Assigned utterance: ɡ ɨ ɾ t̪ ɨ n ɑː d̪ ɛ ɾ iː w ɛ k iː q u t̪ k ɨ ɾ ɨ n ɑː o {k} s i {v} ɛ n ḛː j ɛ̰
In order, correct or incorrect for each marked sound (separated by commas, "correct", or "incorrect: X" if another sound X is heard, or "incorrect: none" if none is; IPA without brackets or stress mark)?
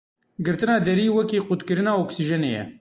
correct, incorrect: ʒ